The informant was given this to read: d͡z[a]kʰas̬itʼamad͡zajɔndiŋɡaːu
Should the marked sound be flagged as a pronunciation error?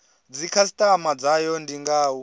yes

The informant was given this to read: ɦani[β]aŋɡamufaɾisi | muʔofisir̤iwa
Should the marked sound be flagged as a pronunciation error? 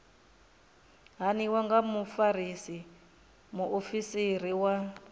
yes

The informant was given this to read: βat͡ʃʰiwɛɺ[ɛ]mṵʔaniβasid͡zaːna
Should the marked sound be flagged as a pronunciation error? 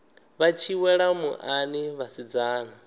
yes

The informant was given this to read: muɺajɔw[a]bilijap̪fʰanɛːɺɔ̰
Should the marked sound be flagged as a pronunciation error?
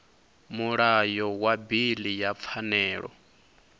no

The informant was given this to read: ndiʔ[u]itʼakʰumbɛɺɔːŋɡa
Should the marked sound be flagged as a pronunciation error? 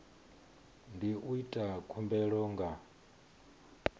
no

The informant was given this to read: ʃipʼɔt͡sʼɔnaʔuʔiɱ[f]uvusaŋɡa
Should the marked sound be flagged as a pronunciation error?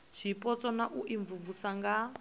yes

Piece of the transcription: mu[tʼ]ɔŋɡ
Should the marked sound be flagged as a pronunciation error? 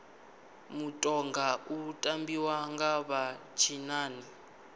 no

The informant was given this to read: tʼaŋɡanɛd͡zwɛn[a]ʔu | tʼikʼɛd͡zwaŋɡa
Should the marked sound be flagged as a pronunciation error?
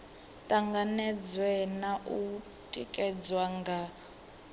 no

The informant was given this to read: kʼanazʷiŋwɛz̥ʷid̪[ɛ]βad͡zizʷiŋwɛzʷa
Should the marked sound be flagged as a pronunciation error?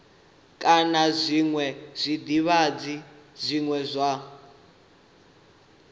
yes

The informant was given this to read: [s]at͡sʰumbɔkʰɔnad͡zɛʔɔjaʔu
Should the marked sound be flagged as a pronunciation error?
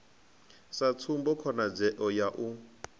no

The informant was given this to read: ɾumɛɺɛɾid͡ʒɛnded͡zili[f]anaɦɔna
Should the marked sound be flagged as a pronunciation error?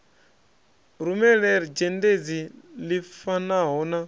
no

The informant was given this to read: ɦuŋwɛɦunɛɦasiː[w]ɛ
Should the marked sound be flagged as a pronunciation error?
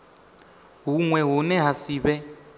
yes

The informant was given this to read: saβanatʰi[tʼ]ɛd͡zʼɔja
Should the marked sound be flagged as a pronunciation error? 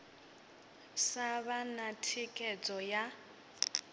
yes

